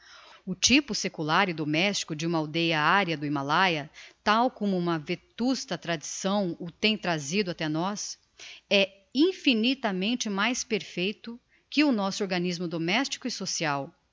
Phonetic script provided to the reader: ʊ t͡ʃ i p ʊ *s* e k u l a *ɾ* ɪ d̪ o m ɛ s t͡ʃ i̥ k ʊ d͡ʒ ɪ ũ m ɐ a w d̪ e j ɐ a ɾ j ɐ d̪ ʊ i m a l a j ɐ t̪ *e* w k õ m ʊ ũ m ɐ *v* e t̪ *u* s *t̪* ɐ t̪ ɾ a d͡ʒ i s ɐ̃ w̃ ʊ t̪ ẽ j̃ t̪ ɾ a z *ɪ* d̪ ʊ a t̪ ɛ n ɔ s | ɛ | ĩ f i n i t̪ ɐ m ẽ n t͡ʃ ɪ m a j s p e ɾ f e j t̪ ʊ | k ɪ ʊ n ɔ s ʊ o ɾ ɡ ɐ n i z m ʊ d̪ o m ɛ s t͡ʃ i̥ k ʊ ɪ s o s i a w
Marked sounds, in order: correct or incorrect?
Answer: correct, correct, incorrect, correct, correct, correct, incorrect

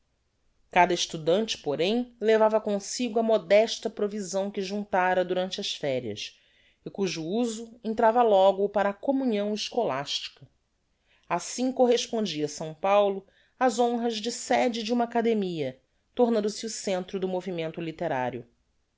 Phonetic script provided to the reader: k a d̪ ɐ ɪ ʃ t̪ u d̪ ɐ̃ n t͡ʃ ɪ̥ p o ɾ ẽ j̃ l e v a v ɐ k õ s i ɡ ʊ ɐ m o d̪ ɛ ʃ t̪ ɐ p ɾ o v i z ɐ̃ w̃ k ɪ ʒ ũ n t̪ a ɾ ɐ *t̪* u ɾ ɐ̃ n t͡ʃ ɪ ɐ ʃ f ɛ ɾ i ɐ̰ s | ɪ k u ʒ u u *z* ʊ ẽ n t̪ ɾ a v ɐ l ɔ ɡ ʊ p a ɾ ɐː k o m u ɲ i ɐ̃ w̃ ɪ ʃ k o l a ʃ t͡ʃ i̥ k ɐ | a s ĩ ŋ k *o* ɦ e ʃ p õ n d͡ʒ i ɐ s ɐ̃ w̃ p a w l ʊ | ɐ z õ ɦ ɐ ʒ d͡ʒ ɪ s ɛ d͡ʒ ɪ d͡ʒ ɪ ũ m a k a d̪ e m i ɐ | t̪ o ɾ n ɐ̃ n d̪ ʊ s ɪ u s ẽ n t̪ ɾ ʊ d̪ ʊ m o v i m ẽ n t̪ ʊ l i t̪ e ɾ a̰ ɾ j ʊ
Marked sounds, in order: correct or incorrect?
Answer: incorrect, correct, correct

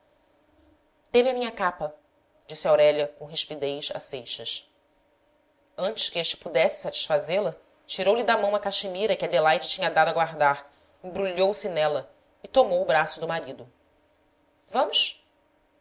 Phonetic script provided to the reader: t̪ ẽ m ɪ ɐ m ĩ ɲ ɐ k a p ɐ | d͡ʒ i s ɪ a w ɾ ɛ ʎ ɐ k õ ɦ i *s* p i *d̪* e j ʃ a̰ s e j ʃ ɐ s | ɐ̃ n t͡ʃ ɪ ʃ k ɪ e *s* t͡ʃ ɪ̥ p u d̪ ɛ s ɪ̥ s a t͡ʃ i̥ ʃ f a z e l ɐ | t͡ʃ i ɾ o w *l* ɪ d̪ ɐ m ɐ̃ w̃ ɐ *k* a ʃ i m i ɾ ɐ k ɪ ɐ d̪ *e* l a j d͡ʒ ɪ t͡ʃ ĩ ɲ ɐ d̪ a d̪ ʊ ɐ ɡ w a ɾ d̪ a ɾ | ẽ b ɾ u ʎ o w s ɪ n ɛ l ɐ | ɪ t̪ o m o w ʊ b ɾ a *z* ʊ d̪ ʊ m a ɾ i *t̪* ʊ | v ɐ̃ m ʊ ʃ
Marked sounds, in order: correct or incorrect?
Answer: incorrect, correct, incorrect, correct, correct, correct, incorrect, incorrect

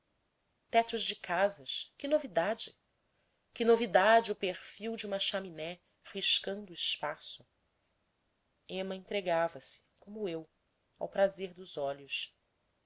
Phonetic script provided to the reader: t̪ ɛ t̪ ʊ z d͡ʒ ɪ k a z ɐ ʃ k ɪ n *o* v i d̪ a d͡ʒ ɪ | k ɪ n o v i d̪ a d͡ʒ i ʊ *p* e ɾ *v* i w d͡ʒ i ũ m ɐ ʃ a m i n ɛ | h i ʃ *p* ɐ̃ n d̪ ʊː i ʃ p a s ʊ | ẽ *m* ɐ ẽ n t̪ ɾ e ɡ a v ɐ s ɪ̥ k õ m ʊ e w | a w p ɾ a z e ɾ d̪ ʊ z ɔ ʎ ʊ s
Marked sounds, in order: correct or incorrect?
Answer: correct, correct, incorrect, incorrect, correct

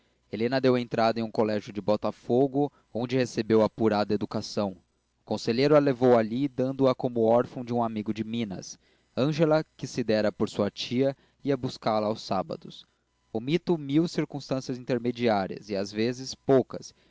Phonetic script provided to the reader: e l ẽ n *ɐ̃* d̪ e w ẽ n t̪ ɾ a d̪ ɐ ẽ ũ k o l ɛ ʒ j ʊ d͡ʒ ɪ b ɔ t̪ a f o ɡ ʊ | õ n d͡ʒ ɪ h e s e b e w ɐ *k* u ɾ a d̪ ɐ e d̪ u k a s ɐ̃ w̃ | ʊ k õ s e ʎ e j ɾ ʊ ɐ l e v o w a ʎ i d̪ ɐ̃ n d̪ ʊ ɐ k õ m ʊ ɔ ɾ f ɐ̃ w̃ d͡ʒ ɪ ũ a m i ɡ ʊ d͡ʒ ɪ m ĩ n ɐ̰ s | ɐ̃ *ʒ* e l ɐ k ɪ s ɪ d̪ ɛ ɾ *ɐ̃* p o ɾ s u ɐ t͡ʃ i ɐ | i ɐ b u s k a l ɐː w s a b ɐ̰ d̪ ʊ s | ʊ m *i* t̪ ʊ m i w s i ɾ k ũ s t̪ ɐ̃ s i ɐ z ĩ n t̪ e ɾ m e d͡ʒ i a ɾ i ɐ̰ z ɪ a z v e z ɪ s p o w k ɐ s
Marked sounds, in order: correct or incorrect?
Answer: incorrect, incorrect, correct, incorrect, correct

